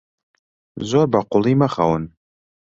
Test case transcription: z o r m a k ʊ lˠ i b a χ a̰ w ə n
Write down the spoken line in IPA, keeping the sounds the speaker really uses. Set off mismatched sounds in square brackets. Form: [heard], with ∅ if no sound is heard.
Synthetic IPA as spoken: z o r [b] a [q] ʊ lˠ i [m] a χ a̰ w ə n